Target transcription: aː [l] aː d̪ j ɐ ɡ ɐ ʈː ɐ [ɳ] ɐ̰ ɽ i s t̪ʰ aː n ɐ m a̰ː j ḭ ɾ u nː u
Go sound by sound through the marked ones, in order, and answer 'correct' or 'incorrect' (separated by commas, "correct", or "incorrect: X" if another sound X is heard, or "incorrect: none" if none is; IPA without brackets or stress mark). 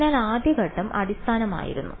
correct, incorrect: m